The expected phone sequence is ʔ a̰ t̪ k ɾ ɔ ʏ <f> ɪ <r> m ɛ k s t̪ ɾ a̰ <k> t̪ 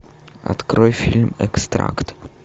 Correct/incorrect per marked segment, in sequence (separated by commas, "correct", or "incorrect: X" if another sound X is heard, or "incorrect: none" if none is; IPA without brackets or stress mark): correct, incorrect: l, correct